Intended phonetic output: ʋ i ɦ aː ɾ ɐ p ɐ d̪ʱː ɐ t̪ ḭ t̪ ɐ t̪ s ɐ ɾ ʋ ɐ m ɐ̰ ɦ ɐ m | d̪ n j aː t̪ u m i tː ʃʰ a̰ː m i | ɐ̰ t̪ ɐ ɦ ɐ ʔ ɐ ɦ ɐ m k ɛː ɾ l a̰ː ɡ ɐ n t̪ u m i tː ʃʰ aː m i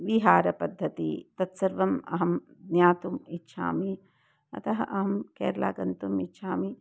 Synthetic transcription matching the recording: ʋ i ɦ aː ɾ ɐ p ɐ d̪ʱː ɐ t̪ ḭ t̪ ɐ t̪ s ɐ ɾ ʋ ɐ m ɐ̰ ɦ ɐ m | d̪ n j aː t̪ u m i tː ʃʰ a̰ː m i | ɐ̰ t̪ ɐ ɦ ɐ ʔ ɐ ɦ ɐ m k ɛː ɾ l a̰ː ɡ ɐ n t̪ u m i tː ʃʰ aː m i

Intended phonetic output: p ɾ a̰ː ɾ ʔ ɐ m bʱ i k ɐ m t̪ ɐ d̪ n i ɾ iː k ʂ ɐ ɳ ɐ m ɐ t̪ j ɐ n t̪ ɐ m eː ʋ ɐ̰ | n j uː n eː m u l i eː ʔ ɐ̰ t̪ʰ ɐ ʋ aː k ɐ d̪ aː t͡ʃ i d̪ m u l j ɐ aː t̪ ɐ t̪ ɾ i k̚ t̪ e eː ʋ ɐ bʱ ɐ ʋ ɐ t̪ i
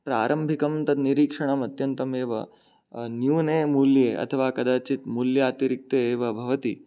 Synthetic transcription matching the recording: p ɾ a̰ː ɾ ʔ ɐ m bʱ i k ɐ m t̪ ɐ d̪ n i ɾ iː k ʂ ɐ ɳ ɐ m ɐ t̪ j ɐ n t̪ ɐ m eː ʋ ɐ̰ | n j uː n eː m u l j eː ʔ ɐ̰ t̪ʰ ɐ ʋ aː k ɐ d̪ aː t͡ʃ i t̪ m u l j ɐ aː t̪ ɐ ɾ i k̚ t̪ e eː ʋ ɐ bʱ ɐ ʋ ɐ t̪ i

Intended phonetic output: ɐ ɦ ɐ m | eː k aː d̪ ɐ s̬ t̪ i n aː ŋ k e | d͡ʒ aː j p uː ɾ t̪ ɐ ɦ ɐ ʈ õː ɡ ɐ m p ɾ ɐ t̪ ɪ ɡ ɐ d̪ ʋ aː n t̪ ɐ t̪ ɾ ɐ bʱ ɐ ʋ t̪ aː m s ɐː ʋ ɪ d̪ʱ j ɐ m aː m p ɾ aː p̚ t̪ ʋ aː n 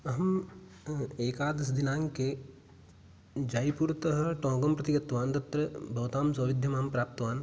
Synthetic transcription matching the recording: ɐ ɦ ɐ m | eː k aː d̪ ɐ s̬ d̪ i n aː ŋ k e | d͡ʒ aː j p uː ɾ t̪ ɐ ɦ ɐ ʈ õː ɡ ɐ m p ɾ ɐ t̪ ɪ ɡ ɐ t̪ ʋ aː n t̪ ɐ t̪ ɾ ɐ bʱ ɐ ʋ t̪ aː m s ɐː ʋ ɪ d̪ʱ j ɐ m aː m p ɾ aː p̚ t̪ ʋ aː n

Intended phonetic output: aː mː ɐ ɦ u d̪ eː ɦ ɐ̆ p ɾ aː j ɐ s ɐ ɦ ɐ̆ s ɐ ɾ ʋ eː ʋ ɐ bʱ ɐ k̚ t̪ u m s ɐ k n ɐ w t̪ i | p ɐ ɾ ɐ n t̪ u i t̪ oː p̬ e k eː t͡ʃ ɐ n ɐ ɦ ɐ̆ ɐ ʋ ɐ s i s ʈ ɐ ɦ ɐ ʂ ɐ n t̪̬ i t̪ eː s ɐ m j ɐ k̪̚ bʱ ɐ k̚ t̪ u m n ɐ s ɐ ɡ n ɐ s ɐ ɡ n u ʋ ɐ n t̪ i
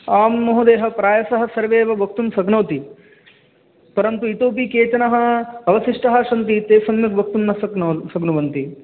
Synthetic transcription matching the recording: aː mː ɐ ɦ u d̪ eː ɦ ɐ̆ p ɾ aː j ɐ s ɐ ɦ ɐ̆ s ɐ ɾ ʋ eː ʋ ɐ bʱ ɐ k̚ t̪ u m s ɐ ɡ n ɐ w t̪ i | p ɐ ɾ ɐ n t̪ u i t̪ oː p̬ i k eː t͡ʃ ɐ n ɐ ɦ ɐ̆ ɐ ʋ ɐ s i ʂ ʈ ɐ ɦ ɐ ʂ ɐ n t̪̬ i t̪ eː s ɐ m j ɐ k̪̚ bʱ ɐ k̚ t̪ u m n ɐ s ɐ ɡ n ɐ s ɐ ɡ n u ʋ ɐ n t̪ i

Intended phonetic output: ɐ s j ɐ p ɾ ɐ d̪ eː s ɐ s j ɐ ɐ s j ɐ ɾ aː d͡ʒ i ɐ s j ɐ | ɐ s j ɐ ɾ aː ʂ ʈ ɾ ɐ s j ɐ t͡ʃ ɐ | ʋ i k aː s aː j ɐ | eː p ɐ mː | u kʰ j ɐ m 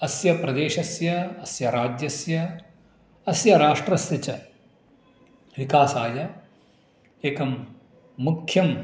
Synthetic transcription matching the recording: ɐ s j ɐ p ɾ ɐ d̪ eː ʃ ɐ s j ɐ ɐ s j ɐ ɾ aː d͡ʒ j ɐ s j ɐ | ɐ s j ɐ ɾ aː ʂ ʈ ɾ ɐ s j ɐ t͡ʃ ɐ | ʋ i k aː s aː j ɐ | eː k ɐ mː | u kʰ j ɐ m

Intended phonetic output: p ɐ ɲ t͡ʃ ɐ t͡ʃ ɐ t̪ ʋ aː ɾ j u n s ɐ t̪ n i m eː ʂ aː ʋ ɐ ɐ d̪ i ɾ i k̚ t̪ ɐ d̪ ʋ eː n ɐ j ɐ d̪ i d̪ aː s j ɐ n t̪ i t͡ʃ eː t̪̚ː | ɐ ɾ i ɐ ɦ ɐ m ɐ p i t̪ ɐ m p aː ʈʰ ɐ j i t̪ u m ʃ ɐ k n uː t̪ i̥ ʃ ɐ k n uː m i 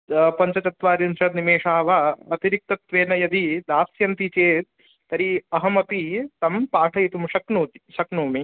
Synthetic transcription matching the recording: p ɐ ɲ t͡ʃ ɐ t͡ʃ ɐ t̪ ʋ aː ɾ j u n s ɐ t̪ n i m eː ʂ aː ʋ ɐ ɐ t̪ i ɾ i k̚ t̪ ɐ t̪ ʋ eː n ɐ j ɐ d̪ i d̪ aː s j ɐ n t̪ i t͡ʃ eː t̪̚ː | ɐ ɾ i ɐ ɦ ɐ m ɐ p i t̪ ɐ m p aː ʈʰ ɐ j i t̪ u m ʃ ɐ k n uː t̪ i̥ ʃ ɐ k n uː m i

